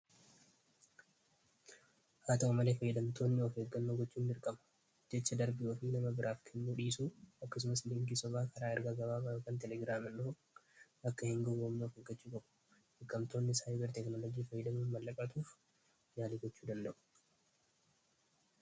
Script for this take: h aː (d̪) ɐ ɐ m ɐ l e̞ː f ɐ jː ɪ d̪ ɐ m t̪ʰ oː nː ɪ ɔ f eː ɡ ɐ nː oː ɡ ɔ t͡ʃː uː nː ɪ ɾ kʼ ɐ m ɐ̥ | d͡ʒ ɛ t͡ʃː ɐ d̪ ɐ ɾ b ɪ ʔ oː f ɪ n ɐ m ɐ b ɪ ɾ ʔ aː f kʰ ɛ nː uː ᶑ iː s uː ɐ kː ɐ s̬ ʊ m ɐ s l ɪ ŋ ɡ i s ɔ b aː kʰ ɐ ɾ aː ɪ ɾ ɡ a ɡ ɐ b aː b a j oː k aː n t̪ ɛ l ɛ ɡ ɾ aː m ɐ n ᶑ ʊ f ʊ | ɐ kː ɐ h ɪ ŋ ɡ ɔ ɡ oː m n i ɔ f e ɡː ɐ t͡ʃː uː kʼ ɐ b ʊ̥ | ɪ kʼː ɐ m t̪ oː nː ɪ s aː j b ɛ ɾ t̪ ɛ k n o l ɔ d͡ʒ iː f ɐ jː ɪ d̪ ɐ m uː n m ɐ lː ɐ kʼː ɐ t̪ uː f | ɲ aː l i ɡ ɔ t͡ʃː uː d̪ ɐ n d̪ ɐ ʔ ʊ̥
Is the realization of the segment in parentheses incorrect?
yes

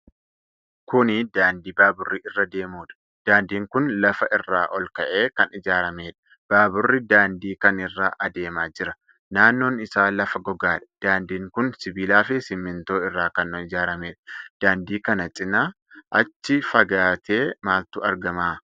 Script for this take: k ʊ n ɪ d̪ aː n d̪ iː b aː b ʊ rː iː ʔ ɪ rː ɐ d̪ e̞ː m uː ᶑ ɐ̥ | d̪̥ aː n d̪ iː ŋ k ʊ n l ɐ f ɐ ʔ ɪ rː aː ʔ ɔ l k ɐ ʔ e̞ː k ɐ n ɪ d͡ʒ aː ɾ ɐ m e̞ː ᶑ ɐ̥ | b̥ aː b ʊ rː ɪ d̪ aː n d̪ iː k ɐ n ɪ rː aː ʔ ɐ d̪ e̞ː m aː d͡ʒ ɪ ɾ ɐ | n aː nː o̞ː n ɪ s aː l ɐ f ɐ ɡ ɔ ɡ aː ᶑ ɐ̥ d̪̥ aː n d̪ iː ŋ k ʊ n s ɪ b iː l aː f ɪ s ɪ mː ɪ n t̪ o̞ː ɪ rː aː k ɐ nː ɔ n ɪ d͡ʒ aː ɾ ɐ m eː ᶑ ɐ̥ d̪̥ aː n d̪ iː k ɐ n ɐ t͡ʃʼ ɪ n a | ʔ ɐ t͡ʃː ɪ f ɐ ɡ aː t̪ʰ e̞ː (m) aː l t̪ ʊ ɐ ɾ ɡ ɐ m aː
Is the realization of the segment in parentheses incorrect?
no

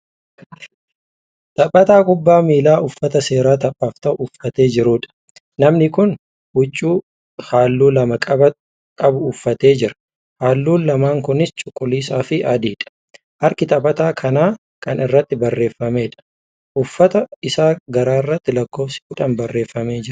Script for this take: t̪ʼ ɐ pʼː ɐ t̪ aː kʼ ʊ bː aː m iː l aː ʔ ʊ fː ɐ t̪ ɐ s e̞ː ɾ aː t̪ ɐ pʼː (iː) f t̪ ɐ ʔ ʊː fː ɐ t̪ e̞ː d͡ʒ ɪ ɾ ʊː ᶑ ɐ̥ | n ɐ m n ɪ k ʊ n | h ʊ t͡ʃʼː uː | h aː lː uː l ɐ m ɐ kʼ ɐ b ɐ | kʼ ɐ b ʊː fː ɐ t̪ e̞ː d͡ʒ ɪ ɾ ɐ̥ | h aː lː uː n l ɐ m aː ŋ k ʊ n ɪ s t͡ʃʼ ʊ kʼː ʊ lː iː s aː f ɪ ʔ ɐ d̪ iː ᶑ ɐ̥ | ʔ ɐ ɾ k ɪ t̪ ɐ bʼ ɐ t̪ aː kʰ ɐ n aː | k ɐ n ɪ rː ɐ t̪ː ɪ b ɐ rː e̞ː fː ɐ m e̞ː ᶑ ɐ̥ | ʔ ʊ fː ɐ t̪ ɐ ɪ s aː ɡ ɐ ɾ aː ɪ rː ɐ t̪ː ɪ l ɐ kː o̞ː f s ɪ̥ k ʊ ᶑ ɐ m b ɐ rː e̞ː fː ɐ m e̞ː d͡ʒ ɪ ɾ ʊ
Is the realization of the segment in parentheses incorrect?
yes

